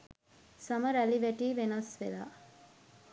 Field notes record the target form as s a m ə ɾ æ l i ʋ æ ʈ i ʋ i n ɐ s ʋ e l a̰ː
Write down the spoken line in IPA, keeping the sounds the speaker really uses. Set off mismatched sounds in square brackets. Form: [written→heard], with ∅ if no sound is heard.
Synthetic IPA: s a m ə ɾ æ l i ʋ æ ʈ [i→iː] ʋ [i→e] n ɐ s ʋ e l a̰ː